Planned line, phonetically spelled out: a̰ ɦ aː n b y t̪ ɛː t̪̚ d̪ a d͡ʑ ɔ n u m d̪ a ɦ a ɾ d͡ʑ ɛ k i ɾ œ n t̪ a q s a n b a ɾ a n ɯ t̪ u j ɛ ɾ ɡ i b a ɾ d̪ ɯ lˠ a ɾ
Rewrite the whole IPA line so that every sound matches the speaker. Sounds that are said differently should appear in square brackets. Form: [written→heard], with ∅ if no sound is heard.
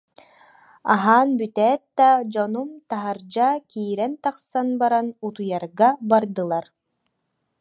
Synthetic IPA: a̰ ɦ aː n b y t̪ ɛː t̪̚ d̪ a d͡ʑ ɔ n u m [d̪→t̪] a ɦ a ɾ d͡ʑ [ɛ→a] k [i→iː] ɾ [œ→ɛ] n t̪ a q s a n b a ɾ a n [ɯ→u] t̪ u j [ɛ→a] ɾ ɡ [i→a] b a ɾ d̪ ɯ lˠ a ɾ

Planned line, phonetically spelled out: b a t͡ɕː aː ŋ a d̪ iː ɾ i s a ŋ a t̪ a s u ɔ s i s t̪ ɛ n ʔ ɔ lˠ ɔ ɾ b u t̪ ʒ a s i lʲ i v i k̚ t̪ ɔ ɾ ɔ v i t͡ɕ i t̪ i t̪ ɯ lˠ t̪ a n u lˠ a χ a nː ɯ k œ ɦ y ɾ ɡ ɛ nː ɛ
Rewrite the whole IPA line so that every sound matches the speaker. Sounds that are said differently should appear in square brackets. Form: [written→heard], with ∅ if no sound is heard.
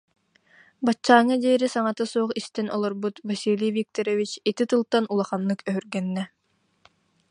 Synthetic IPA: b a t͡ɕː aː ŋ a d̪ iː ɾ i s a ŋ a t̪ a s u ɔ [s→χ] i s t̪ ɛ n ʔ ɔ lˠ ɔ ɾ b u t̪ [ʒ→v] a s i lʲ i v i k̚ t̪ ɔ ɾ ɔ v i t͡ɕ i t̪ i t̪ ɯ lˠ t̪ a n u lˠ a χ a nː ɯ k œ ɦ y ɾ ɡ ɛ nː ɛ

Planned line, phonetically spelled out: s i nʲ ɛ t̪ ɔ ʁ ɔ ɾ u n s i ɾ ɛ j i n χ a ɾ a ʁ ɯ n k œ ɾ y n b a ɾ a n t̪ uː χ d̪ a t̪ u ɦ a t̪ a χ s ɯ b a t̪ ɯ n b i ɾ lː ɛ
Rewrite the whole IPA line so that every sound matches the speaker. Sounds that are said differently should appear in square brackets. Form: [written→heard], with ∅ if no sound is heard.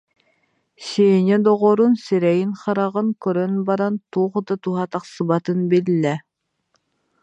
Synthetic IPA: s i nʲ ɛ [t̪→d̪] ɔ ʁ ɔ ɾ u n s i ɾ ɛ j i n χ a ɾ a ʁ ɯ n k œ ɾ [y→œ] n b a ɾ a n t̪ uː χ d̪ a t̪ u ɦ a t̪ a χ s ɯ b a t̪ ɯ n b i [ɾ→∅] lː ɛ

